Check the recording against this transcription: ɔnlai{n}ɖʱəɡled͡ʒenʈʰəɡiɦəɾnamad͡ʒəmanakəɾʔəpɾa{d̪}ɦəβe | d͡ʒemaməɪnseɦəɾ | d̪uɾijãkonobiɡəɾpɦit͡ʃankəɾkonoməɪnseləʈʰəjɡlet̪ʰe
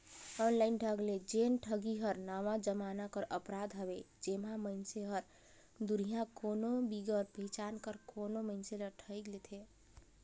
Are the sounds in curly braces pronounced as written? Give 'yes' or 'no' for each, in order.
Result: yes, yes

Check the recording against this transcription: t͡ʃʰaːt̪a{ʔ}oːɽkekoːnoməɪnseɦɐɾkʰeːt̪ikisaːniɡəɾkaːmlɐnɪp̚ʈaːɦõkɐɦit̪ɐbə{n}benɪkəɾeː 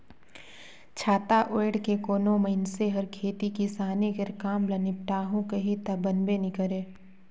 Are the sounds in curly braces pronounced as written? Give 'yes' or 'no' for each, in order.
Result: yes, yes

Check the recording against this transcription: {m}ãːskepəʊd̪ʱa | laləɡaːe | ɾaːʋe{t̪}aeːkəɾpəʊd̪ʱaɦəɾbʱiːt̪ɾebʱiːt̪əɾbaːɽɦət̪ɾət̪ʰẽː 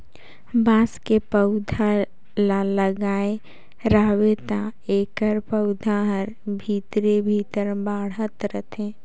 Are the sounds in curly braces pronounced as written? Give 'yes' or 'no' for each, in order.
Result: no, yes

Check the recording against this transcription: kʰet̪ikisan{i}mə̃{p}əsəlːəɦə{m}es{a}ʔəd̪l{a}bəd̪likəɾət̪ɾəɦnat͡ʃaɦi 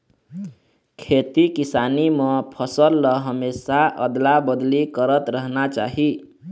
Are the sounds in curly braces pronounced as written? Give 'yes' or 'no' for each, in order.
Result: yes, no, yes, yes, yes

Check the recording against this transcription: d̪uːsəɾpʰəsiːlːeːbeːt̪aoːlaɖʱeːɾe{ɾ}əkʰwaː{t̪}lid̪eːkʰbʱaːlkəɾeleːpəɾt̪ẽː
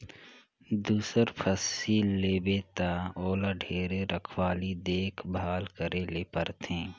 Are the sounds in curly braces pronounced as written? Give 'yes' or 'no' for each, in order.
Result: yes, no

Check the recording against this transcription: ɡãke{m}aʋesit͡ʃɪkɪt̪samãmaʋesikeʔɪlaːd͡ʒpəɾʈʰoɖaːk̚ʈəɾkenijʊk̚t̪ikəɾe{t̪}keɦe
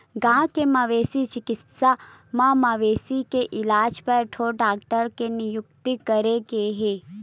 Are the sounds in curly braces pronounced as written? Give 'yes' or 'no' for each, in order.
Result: yes, no

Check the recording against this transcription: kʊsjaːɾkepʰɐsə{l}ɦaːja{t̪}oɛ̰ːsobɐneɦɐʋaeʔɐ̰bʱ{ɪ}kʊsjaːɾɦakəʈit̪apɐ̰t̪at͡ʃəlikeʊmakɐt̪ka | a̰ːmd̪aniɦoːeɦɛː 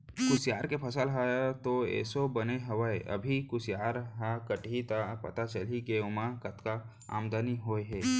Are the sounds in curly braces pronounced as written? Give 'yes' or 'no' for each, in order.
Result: yes, yes, no

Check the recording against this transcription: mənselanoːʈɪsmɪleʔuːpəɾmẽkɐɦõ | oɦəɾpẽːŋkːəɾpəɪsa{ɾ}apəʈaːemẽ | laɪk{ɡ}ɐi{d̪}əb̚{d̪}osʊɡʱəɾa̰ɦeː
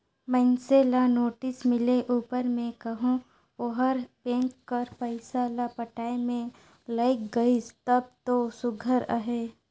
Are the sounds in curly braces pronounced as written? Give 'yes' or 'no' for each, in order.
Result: no, yes, no, no

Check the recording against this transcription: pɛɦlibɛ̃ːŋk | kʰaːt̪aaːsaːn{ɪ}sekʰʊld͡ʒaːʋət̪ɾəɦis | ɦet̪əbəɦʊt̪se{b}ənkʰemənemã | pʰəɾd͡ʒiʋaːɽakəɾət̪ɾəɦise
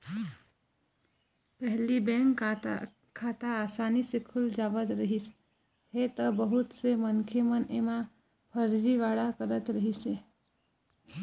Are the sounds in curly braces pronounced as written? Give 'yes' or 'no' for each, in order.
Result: no, no

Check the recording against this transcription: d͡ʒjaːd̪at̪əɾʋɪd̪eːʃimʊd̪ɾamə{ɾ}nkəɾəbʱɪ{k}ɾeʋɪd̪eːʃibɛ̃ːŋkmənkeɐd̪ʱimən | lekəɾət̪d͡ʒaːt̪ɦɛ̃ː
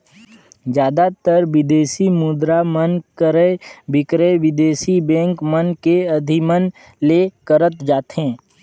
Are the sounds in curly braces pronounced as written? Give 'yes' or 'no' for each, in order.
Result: no, yes

